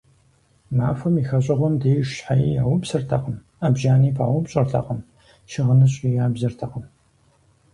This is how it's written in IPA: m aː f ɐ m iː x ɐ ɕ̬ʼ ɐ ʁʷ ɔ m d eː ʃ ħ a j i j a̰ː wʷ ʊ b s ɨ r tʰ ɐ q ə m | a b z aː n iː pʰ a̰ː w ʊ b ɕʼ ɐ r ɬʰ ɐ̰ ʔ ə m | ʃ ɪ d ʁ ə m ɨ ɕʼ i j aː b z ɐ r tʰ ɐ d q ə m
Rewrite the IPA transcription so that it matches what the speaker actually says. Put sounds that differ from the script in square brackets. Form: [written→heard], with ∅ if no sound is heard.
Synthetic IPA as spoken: m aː f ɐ m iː x ɐ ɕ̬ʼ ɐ ʁʷ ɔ m d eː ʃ ħ a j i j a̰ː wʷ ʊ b s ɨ r tʰ ɐ q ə m | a b [z→ʒ] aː n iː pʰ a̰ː w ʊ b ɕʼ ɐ r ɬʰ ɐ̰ [ʔ→q] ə m | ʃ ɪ [d→∅] ʁ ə [m→n] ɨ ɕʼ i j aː b z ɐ r tʰ ɐ [d→∅] q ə m